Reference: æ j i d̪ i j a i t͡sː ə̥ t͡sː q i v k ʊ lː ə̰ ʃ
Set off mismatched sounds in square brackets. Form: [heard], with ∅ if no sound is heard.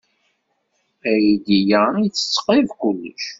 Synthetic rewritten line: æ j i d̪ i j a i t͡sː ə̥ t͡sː q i v k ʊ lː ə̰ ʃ